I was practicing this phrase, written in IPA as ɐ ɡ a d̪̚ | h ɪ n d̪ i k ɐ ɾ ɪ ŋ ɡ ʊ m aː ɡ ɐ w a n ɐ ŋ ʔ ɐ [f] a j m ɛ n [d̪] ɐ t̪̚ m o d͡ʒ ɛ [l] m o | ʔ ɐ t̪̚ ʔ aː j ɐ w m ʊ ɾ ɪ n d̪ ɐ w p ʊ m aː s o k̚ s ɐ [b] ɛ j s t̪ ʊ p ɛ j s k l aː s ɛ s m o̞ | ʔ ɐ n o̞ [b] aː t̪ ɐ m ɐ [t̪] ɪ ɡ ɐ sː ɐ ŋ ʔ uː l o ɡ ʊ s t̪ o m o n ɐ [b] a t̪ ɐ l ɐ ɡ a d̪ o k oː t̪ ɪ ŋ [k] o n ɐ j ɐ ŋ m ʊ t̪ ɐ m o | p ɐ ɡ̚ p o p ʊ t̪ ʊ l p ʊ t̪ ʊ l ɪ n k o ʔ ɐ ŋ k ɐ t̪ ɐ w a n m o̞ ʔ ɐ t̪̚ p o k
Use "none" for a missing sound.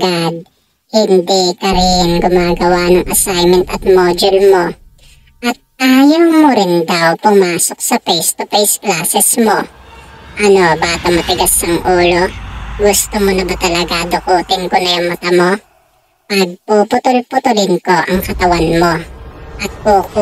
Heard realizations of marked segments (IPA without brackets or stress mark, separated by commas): s, t̪, l, p, b, t̪, b, k